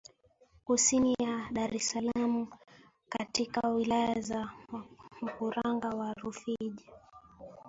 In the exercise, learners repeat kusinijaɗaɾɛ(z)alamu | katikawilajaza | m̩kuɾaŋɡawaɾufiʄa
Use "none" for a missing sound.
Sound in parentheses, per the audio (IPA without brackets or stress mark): s